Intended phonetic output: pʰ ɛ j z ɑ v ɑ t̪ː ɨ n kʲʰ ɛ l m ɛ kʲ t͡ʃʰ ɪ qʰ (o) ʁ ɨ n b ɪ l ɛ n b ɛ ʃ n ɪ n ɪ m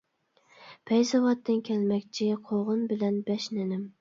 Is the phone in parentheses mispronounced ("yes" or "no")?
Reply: no